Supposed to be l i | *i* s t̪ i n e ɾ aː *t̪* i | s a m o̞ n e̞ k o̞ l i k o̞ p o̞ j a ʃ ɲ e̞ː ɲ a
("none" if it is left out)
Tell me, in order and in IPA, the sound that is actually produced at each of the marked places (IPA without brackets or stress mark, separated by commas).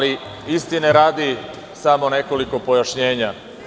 i, d̪